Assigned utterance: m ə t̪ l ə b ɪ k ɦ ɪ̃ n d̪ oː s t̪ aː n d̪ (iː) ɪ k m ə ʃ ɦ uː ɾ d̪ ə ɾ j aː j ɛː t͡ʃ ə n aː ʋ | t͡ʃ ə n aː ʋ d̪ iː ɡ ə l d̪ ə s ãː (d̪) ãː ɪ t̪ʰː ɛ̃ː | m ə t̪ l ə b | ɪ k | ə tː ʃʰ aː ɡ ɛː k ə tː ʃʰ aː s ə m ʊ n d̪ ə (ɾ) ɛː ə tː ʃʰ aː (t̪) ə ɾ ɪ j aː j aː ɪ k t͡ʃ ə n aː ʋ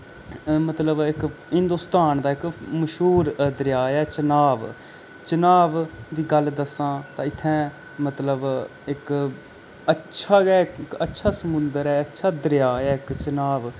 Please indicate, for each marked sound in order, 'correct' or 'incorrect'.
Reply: incorrect: aː, incorrect: t̪, correct, incorrect: d̪

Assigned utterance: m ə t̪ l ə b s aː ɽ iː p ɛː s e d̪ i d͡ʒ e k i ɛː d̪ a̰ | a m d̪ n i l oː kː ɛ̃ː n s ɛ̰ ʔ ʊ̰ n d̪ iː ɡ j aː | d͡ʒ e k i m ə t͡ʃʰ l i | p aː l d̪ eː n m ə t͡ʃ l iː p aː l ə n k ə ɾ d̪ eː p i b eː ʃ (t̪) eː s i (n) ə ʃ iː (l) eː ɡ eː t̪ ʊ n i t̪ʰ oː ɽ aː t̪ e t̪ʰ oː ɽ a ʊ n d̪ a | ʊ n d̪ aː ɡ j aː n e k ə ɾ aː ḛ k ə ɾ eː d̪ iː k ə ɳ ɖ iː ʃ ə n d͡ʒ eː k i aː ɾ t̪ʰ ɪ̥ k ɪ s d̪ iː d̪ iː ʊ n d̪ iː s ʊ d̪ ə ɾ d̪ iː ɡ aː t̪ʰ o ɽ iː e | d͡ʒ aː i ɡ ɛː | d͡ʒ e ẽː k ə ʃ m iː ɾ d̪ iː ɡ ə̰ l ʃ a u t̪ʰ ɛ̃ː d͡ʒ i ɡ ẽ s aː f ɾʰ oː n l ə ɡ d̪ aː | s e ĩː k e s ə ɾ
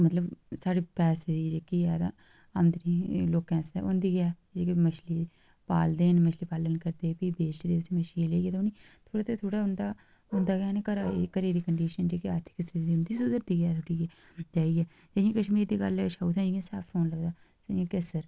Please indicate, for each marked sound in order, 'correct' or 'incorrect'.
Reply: incorrect: d̪, incorrect: m, correct

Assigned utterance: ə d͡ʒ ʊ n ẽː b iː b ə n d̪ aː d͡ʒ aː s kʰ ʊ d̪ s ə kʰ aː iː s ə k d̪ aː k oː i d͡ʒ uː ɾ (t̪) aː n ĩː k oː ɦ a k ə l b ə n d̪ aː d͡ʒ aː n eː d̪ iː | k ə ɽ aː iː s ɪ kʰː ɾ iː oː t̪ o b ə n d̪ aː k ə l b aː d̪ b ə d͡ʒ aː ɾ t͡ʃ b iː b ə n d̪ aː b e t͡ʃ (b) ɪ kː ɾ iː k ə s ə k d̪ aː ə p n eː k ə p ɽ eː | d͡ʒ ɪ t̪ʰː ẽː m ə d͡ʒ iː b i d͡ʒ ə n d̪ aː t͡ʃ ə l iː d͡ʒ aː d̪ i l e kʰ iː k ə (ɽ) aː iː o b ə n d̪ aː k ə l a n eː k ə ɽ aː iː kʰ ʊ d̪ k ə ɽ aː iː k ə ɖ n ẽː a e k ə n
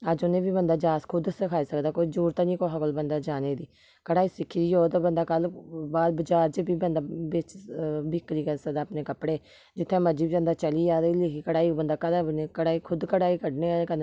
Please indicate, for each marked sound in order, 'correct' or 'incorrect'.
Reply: correct, correct, correct

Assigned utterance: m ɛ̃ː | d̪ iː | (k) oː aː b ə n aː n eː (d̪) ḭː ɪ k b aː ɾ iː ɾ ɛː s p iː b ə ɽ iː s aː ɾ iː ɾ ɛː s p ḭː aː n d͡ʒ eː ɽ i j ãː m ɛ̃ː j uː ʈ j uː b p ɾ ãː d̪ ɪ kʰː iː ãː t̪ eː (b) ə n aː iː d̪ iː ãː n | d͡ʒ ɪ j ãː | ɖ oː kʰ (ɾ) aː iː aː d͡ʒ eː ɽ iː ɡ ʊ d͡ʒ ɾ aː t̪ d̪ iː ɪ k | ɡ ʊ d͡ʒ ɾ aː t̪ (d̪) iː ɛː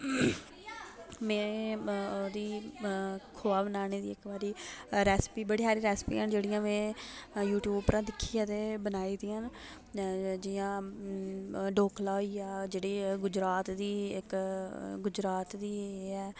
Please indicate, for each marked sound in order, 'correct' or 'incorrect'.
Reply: incorrect: kʰ, correct, correct, incorrect: l, correct

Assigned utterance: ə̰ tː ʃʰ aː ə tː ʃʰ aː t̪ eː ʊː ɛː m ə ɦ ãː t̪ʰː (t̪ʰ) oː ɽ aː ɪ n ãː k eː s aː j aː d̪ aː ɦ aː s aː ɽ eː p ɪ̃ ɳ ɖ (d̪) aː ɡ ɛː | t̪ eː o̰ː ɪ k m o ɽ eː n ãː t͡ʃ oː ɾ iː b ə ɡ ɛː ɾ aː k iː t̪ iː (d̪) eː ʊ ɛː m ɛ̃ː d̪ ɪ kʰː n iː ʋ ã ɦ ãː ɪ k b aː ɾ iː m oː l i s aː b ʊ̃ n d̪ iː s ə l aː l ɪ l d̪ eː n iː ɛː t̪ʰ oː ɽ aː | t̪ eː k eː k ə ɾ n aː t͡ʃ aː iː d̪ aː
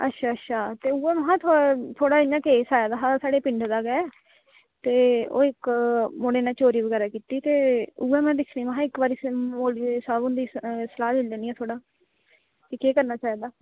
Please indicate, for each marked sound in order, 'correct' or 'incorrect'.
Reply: correct, correct, incorrect: t̪

